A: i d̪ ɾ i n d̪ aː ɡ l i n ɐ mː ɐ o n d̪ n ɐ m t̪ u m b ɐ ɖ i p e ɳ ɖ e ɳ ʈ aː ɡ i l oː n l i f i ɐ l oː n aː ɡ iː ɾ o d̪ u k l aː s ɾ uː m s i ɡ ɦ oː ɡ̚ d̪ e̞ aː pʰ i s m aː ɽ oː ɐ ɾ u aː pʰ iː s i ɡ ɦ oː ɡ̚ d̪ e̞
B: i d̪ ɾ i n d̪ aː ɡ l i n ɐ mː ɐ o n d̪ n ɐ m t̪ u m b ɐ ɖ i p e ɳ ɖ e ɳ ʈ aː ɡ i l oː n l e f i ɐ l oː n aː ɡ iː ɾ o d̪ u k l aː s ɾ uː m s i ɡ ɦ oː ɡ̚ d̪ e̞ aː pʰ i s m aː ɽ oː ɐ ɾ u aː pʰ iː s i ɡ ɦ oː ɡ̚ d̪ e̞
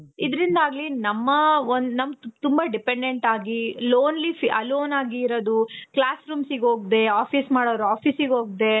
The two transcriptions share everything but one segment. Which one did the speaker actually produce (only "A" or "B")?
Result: A